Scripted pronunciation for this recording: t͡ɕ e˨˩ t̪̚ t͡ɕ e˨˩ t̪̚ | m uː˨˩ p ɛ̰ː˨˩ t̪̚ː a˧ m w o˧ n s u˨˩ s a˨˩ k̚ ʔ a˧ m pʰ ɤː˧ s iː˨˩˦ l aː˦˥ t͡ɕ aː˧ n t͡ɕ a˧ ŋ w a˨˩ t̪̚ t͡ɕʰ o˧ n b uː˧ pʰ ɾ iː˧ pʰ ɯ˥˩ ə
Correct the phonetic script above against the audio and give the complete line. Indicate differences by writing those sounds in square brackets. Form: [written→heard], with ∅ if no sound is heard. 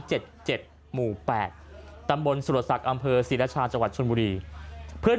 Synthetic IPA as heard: t͡ɕ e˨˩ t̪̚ t͡ɕ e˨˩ t̪̚ | m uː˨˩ p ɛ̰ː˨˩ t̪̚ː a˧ m [w→b] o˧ n s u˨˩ s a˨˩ k̚ ʔ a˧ m pʰ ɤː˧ s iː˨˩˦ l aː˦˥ [t͡ɕ→t͡ɕʰ] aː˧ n t͡ɕ a˧ ŋ w a˨˩ t̪̚ t͡ɕʰ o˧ n b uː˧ [pʰ→∅] ɾ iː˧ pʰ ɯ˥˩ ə